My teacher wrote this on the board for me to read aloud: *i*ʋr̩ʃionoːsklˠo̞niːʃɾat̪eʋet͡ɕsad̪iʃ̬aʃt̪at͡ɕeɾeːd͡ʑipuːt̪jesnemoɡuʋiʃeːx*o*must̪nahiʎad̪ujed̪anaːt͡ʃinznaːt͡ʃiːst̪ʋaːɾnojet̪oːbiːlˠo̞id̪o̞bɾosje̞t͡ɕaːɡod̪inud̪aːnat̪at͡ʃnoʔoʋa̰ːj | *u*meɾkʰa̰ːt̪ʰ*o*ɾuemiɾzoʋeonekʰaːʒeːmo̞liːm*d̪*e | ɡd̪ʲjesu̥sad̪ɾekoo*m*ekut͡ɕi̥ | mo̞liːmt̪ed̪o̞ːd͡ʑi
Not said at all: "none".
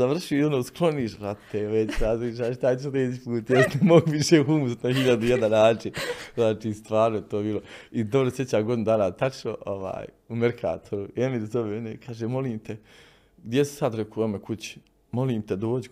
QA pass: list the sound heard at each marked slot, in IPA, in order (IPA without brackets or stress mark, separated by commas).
a, u, u, o, t̪, m